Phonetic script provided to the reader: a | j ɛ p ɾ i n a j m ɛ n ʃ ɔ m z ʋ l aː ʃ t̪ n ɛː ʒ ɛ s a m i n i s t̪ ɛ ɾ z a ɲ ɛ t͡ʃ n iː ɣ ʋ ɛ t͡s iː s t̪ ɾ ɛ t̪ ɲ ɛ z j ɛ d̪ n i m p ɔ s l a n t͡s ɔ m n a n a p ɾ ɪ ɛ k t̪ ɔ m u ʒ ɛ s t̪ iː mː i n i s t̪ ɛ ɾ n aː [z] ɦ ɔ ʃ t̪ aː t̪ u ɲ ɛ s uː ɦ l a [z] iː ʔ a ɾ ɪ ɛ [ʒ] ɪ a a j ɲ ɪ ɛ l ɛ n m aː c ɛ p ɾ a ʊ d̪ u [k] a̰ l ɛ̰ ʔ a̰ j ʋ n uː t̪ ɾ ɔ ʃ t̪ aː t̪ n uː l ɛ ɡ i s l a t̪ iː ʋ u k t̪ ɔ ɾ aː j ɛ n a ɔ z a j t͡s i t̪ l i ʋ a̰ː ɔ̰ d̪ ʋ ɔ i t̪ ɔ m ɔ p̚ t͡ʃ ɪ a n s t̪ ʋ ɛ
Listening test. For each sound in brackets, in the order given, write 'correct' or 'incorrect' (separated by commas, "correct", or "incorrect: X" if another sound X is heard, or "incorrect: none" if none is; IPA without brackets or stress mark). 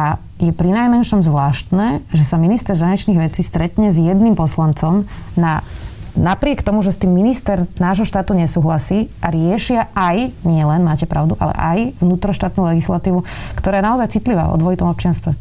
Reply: incorrect: ʒ, incorrect: s, incorrect: ʃ, incorrect: ʔ